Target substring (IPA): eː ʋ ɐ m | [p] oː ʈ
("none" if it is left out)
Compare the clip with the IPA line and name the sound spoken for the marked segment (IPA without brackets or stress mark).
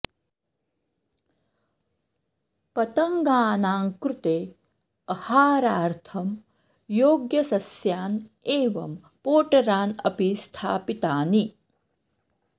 p